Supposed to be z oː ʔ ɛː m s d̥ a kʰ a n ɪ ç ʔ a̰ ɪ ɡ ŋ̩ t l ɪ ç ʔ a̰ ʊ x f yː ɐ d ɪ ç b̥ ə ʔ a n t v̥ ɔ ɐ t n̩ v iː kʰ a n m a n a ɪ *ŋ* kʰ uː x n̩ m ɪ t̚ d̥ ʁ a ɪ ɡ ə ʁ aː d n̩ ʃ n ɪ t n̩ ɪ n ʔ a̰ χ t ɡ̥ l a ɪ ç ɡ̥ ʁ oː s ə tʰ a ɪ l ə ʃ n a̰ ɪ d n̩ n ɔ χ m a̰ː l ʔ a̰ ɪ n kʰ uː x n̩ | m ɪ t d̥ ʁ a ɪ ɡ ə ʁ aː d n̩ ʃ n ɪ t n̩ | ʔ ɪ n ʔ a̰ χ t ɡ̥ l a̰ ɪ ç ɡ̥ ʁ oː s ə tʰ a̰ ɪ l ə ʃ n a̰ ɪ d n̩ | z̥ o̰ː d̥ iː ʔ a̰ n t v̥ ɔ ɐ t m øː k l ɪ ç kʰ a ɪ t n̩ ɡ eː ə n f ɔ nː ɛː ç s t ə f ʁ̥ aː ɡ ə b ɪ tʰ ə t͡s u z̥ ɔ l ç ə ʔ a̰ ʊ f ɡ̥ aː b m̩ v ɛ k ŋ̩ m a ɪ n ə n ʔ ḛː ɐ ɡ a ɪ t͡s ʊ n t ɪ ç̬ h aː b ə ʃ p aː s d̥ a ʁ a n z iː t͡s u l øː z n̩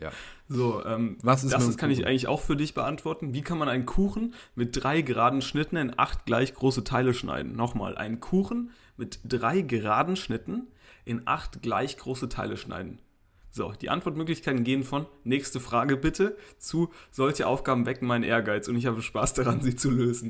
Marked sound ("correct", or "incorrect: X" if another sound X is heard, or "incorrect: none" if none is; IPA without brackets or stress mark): incorrect: n